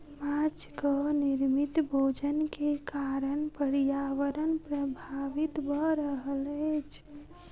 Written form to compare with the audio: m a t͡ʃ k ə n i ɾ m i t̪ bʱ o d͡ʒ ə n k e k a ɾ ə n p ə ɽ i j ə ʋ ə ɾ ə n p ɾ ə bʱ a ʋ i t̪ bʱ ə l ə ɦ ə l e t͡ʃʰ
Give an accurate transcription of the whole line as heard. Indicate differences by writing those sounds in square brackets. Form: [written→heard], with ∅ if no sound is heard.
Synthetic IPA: m a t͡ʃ k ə n i ɾ m i t̪ bʱ o d͡ʒ ə n k e k a ɾ ə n p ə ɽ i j [ə→a] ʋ ə ɾ ə n p ɾ ə bʱ a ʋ i t̪ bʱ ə [l→ɾ] ə ɦ ə l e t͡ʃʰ